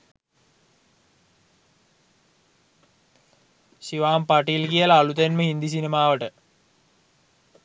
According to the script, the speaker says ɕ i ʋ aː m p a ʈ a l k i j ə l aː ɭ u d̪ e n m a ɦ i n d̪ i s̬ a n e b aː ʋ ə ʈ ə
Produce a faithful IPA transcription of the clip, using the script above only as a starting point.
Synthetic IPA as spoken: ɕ i ʋ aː m p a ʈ i l k i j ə l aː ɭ u t̪ e n m ə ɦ i n d̪ i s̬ i n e m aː ʋ ə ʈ ə